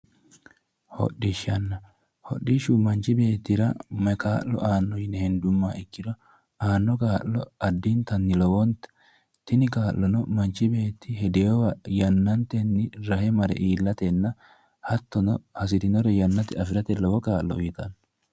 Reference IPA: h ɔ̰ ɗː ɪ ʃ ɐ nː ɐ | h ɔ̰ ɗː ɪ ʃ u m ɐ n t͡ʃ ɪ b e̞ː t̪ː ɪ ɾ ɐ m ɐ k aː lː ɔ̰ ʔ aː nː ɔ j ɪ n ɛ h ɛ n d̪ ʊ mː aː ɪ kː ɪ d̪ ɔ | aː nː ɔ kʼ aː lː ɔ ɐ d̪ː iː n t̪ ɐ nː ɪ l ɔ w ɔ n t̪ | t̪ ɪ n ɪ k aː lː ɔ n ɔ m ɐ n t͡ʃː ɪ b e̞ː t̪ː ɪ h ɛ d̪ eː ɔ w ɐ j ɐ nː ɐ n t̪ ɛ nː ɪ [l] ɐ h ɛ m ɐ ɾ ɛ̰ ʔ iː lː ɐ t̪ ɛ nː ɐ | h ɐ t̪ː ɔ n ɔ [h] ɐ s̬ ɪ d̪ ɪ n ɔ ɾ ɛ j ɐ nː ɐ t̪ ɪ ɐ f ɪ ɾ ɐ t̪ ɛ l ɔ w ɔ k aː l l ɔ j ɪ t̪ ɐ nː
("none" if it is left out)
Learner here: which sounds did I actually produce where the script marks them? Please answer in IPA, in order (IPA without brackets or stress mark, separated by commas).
ɾ, h